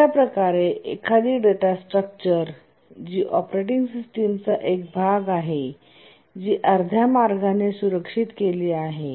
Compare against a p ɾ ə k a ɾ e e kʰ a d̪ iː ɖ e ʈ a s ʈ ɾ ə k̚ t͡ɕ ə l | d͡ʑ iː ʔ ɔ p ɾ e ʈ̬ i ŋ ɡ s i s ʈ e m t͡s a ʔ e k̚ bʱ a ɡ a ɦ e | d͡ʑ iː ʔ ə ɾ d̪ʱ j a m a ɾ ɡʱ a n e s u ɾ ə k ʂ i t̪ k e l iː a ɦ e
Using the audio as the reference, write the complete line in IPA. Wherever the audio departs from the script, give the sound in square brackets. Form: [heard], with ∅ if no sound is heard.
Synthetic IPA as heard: a p ɾ ə k a ɾ e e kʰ a d̪ iː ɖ e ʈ a s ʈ ɾ ə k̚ t͡ɕ ə [ɾ] | d͡ʑ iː ʔ ɔ p ɾ e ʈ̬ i ŋ ɡ s i s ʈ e m t͡s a ʔ e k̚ bʱ a ɡ a ɦ e | d͡ʑ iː ʔ ə ɾ d̪ʱ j a m a ɾ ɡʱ a n e s u ɾ ə k ʂ i t̪ k e l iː a ɦ e

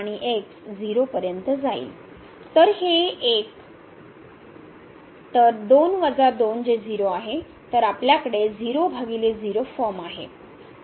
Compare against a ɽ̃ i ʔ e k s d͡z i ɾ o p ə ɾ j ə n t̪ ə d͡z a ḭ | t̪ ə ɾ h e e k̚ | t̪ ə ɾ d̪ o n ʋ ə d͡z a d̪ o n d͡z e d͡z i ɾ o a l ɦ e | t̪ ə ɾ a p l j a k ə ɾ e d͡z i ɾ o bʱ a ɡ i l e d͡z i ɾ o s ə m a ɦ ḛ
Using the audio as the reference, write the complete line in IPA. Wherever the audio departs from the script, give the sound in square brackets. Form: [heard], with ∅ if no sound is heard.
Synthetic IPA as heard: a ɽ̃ i ʔ e k s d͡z i ɾ o p ə ɾ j ə n t̪ ə d͡z a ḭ | t̪ ə ɾ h e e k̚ | t̪ ə ɾ d̪ o n ʋ ə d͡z a d̪ o n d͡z e d͡z i ɾ o a [∅] ɦ e | t̪ ə ɾ a p l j a k ə [ɽ] e d͡z i ɾ o bʱ a ɡ i l e d͡z i ɾ o [f] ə m a ɦ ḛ

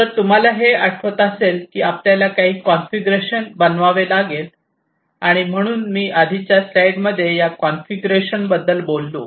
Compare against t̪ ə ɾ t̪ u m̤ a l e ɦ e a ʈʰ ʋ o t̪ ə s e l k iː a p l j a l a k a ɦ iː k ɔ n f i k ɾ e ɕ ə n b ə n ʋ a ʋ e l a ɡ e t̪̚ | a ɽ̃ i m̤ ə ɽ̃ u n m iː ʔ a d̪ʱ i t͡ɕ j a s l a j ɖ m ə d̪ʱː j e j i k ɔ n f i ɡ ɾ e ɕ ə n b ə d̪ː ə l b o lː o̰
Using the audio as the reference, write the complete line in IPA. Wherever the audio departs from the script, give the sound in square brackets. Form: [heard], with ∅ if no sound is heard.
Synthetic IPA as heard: t̪ ə ɾ t̪ u m̤ a l [a] ɦ e a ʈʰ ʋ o t̪ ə s e l k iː a p l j a l a k a ɦ iː k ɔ n f i [ɡ] ɾ e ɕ ə n b ə n ʋ a ʋ e l a ɡ e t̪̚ | a ɽ̃ i m̤ ə ɽ̃ [uː] n m iː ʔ a d̪ʱ i t͡ɕ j a s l a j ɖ m ə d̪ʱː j e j [a] k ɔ n f i ɡ ɾ e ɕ ə n b ə d̪ː ə l b o lː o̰

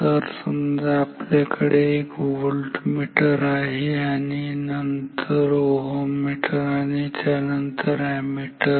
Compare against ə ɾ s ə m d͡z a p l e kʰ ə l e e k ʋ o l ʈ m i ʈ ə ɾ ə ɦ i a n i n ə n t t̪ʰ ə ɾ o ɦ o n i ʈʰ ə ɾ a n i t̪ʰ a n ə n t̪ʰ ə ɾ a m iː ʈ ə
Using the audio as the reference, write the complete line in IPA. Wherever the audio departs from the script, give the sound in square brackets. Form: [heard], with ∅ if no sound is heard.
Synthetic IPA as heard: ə ɾ s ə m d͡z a p l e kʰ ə [ɽ] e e k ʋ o l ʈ m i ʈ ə ɾ [a] ɦ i a n i n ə n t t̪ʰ ə ɾ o ɦ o [m] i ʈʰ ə ɾ a n i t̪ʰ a n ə n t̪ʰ ə ɾ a m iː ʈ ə

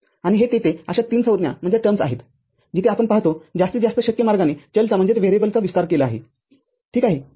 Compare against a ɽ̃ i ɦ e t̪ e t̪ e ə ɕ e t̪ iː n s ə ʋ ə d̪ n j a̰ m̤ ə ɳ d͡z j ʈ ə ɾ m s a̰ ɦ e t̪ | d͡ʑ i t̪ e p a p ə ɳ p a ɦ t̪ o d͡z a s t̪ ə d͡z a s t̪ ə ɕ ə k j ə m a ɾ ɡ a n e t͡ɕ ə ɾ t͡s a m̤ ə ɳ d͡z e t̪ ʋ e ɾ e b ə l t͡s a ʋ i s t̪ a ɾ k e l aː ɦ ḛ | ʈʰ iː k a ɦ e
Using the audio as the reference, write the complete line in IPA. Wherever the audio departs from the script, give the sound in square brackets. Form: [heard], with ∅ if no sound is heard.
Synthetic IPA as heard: a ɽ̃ i ɦ e t̪ e t̪ e ə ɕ [a] t̪ iː n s ə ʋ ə d̪ n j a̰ m̤ ə ɳ d͡z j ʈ ə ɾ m s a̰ ɦ e t̪ | d͡ʑ i t̪ e [∅] a p ə ɳ p a ɦ t̪ o d͡z a s t̪ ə d͡z a s t̪ ə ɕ ə k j ə m a ɾ ɡ a n e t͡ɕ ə [l] t͡s a m̤ ə ɳ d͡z e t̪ ʋ e ɾ e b ə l t͡s a ʋ i s t̪ a ɾ k e l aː ɦ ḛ | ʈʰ iː k a ɦ e

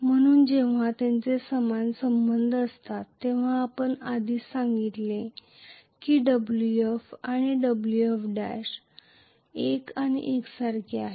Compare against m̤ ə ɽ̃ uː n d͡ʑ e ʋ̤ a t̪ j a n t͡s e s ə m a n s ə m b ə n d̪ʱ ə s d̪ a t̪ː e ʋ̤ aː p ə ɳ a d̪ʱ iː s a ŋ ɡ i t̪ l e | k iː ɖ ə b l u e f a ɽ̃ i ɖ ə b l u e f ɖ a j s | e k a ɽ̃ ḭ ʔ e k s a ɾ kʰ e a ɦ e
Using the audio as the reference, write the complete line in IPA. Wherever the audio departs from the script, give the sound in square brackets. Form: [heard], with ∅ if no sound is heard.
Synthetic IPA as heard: m̤ ə ɽ̃ uː n d͡ʑ e ʋ̤ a t̪ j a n t͡s e s ə m a n s ə m b ə n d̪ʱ ə s [t̪] a t̪ː e ʋ̤ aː p ə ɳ a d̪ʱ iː s a ŋ ɡ i t̪ l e | k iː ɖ ə b l u e f a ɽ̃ i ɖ ə b l u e f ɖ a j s | e k a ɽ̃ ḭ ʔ e k s a ɾ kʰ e a ɦ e

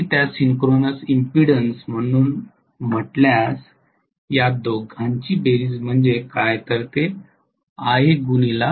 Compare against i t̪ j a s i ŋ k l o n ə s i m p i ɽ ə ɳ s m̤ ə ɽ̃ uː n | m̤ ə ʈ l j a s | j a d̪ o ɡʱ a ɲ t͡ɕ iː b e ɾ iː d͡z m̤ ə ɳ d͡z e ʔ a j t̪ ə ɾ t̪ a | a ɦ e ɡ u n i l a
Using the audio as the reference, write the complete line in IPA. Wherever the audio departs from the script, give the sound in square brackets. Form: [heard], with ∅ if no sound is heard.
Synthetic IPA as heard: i t̪ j a s i ŋ k [ɾ] o n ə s i m p i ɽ ə [n] s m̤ ə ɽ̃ uː n | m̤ ə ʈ l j a s | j a d̪ o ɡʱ a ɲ t͡ɕ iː b e ɾ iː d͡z m̤ ə ɳ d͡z e [k] a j t̪ ə ɾ t̪ [e] | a ɦ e ɡ u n i l a

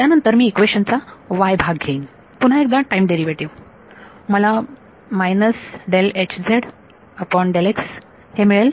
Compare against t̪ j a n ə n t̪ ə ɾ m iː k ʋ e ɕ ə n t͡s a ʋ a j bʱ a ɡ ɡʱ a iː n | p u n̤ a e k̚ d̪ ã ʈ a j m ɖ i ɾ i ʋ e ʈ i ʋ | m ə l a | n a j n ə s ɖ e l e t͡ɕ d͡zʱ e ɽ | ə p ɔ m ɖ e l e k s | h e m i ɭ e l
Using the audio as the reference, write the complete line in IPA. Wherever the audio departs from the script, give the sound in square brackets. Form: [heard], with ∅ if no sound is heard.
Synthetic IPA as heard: t̪ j a n ə n t̪ ə ɾ m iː k ʋ e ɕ ə n t͡s a ʋ a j bʱ a ɡ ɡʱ [e] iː n | p u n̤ a e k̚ d̪ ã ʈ a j m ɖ [e] ɾ i ʋ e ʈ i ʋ | m ə l a | [m] a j n ə s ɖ e l e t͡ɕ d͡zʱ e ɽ | ə p ɔ [ɳ] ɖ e l e k s | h e m i ɭ e l

